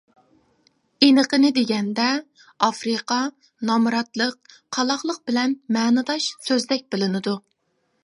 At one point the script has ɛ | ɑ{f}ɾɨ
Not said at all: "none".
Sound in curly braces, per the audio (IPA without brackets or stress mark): f